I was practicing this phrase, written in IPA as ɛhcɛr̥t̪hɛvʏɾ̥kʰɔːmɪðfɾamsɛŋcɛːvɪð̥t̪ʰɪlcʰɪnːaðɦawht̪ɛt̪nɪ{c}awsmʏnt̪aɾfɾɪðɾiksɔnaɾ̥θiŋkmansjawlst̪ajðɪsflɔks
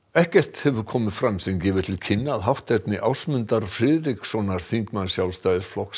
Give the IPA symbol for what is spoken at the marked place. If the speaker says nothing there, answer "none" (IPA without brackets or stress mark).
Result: ʔ